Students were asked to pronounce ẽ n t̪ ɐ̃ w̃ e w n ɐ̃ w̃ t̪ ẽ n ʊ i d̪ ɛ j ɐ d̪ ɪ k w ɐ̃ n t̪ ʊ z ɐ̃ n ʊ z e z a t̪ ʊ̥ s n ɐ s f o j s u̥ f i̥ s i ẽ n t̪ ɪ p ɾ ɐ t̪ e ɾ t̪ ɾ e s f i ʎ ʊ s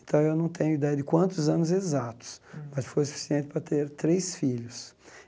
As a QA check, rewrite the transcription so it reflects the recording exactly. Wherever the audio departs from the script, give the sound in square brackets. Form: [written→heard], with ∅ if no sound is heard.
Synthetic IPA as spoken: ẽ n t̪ ɐ̃ w̃ e w n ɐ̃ w̃ t̪ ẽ [n→ɲ] ʊ i d̪ ɛ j ɐ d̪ ɪ k w ɐ̃ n t̪ ʊ z ɐ̃ n ʊ z e z a t̪ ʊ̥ s [n→m] ɐ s f o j s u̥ f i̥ s i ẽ n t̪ ɪ p ɾ ɐ t̪ e ɾ t̪ ɾ e s f i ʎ ʊ s